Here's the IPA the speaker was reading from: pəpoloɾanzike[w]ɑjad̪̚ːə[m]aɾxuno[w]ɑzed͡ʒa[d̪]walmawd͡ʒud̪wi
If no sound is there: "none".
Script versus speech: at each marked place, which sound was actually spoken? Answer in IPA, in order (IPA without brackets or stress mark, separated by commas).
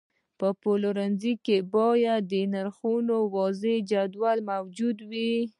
b, n, w, d̪